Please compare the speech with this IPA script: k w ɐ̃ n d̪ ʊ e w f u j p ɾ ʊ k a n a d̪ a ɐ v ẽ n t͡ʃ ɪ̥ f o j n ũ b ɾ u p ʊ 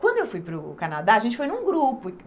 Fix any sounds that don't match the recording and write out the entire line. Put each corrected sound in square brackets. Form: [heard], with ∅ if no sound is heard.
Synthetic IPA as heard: k w ɐ̃ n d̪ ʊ e w f u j p ɾ ʊ k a n a d̪ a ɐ [ʒ] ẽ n t͡ʃ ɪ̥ f o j n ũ [ɡ] ɾ u p ʊ